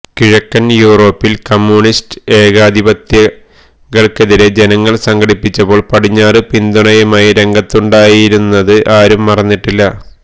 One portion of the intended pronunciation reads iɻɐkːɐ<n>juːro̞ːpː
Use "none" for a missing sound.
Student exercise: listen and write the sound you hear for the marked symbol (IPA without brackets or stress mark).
n